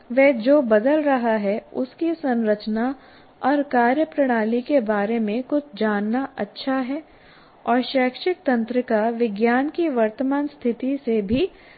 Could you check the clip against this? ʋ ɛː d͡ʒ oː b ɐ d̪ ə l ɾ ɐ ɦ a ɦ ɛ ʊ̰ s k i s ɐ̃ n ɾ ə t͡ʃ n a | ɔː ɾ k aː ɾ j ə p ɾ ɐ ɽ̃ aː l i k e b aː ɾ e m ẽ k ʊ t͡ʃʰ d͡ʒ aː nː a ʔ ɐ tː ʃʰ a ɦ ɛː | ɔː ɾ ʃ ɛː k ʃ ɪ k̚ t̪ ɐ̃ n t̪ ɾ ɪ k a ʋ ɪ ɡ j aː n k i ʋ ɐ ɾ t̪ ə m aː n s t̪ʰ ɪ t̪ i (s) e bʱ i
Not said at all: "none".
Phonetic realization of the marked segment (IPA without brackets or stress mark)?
s